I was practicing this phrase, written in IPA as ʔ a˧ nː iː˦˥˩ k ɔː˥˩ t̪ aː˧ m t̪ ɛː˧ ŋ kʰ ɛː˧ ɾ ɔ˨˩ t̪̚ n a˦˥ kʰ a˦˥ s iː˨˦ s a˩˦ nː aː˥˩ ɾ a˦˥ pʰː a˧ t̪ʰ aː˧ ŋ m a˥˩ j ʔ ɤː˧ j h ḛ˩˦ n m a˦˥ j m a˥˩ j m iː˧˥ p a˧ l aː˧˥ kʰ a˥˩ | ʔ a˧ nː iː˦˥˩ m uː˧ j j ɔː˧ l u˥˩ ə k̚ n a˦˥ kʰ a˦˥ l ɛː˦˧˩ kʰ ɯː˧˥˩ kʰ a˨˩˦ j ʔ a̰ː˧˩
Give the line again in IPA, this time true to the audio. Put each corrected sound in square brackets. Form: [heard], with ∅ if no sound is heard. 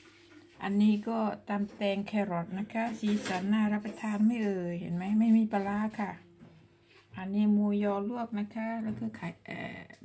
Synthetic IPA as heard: ʔ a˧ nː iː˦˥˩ k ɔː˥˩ t̪ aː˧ m t̪ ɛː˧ ŋ kʰ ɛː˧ ɾ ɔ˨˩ t̪̚ n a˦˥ kʰ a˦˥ s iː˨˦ s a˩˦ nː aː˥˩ ɾ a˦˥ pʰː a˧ t̪ʰ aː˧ [n] m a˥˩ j ʔ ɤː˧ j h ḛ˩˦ n m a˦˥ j m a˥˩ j m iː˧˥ p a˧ l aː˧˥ kʰ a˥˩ | ʔ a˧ nː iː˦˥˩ m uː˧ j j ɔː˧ l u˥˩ ə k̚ n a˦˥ kʰ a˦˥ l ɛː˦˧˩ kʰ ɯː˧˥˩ kʰ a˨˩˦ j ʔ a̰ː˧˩